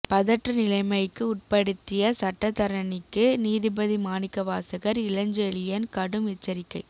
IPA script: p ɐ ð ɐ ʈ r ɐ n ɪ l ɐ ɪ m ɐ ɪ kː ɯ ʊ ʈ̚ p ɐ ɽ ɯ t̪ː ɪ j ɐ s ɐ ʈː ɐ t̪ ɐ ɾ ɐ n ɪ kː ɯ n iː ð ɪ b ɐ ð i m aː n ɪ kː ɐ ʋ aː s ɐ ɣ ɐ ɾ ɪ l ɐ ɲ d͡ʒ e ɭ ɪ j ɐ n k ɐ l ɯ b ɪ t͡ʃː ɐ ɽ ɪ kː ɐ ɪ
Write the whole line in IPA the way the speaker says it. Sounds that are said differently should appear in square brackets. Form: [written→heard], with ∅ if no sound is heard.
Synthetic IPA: p ɐ ð ɐ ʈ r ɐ n ɪ l ɐ ɪ m ɐ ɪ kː ɯ ʊ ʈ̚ p ɐ ɽ ɯ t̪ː ɪ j ɐ s ɐ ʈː ɐ t̪ ɐ ɾ ɐ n ɪ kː ɯ n iː ð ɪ b ɐ ð i m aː n ɪ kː ɐ ʋ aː s ɐ ɣ ɐ ɾ ɪ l ɐ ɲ d͡ʒ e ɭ ɪ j ɐ n k ɐ [l→ɽ] ɯ [b→m] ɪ t͡ʃː ɐ [ɽ→ɾ] ɪ kː ɐ ɪ

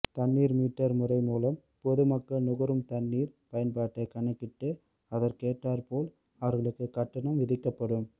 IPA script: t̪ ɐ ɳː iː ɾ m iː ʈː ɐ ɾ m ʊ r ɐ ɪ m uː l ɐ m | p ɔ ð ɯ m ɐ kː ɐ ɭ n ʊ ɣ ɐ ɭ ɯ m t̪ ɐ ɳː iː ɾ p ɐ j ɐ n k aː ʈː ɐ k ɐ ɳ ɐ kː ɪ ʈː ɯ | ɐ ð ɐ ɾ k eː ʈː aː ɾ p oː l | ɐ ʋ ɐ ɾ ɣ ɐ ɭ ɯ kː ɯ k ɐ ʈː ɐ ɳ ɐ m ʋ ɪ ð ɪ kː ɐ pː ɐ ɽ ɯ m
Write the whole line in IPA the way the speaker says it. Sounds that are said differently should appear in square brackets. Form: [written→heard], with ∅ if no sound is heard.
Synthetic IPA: t̪ ɐ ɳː iː ɾ m iː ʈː ɐ ɾ m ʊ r ɐ ɪ m uː l ɐ m | p ɔ ð ɯ m ɐ kː ɐ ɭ n ʊ ɣ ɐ [ɭ→ɾ] ɯ m t̪ ɐ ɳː iː ɾ p ɐ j ɐ n [k→p] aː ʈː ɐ k ɐ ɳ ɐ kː ɪ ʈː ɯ | ɐ ð ɐ ɾ k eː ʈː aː ɾ p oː l | ɐ ʋ ɐ ɾ ɣ ɐ ɭ ɯ kː ɯ k ɐ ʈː ɐ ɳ ɐ m ʋ ɪ ð ɪ kː ɐ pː ɐ ɽ ɯ m

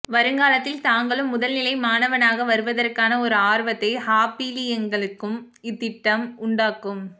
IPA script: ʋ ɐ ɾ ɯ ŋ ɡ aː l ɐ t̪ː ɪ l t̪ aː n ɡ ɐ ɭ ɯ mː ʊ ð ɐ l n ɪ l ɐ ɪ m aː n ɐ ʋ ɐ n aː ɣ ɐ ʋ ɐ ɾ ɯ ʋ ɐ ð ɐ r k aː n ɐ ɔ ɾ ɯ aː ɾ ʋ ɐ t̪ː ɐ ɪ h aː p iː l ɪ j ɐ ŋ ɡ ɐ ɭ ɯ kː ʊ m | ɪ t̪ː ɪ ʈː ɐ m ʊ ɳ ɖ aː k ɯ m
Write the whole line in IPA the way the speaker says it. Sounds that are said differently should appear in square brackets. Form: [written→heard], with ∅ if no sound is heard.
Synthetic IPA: ʋ ɐ ɾ ɯ ŋ ɡ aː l ɐ t̪ː ɪ l t̪ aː [n→ŋ] ɡ ɐ ɭ ɯ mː ʊ ð ɐ l n ɪ l ɐ ɪ m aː n ɐ ʋ ɐ n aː ɣ ɐ ʋ ɐ ɾ ɯ ʋ ɐ ð ɐ r k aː n ɐ ɔ ɾ ɯ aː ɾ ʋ ɐ t̪ː ɐ ɪ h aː p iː l ɪ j ɐ ŋ ɡ ɐ ɭ ɯ kː [ʊ→ɯ] m | ɪ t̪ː ɪ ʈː ɐ m ʊ ɳ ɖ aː k ɯ m

